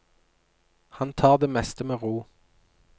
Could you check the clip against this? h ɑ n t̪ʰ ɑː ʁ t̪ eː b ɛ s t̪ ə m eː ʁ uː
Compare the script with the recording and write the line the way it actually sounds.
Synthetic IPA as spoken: h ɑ n t̪ʰ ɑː ʁ d̪ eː m ɛ s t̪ ə m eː ʁ uː